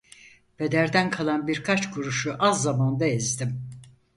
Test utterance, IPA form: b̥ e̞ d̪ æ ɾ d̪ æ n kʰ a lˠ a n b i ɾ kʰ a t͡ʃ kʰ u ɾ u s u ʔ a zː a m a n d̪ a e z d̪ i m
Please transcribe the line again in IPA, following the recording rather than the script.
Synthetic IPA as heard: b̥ e̞ d̪ æ ɾ d̪ æ n kʰ a lˠ a n b i ɾ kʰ a t͡ʃ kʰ u ɾ u ʃ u ʔ a zː a m a n d̪ a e z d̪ i m